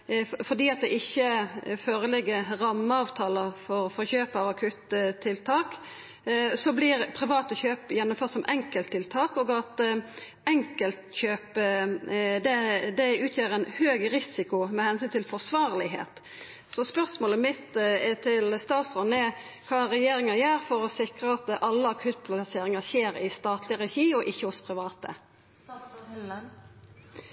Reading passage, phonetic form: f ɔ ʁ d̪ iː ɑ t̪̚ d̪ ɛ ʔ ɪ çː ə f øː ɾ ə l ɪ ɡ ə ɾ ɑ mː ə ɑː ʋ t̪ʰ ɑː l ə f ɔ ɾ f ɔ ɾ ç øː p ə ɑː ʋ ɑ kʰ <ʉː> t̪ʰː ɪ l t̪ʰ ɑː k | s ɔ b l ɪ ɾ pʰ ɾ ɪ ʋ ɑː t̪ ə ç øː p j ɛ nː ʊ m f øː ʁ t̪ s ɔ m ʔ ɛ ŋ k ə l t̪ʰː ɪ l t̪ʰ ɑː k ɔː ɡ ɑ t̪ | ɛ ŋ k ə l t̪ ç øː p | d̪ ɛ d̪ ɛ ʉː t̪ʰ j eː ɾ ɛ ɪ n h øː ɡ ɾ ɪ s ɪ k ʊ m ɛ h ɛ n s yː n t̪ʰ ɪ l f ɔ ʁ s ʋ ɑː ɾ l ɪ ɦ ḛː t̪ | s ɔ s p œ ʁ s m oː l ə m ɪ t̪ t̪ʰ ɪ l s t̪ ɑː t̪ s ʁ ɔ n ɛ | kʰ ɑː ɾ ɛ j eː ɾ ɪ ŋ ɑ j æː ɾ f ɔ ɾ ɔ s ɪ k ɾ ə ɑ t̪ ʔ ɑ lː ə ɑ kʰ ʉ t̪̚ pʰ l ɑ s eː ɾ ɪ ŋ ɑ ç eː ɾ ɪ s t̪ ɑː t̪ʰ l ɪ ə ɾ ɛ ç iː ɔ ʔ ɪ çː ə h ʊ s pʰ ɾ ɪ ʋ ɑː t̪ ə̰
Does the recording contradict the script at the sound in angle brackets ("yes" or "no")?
yes